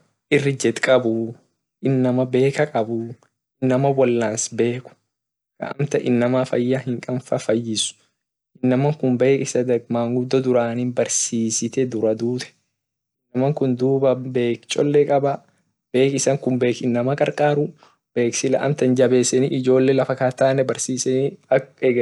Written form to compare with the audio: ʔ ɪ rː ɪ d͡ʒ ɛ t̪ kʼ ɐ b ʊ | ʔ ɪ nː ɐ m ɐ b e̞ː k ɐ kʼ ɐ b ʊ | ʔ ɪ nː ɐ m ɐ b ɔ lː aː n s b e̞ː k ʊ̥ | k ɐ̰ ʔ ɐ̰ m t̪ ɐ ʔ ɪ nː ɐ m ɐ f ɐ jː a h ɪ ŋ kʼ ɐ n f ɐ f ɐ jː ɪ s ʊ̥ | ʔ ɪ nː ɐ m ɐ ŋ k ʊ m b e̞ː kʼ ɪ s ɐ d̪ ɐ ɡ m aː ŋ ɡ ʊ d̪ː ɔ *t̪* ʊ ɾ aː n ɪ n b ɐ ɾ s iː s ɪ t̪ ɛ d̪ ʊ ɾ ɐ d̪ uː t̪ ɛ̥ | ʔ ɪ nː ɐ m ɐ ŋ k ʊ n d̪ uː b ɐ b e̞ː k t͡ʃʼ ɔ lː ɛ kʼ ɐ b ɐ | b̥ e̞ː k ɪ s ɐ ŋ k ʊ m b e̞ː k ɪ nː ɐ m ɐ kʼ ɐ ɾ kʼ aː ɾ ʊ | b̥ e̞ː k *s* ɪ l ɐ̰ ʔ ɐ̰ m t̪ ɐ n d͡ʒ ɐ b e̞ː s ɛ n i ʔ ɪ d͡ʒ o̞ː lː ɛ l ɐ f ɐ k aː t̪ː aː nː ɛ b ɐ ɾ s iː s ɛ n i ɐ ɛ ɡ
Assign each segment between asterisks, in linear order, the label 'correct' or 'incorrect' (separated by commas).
incorrect, correct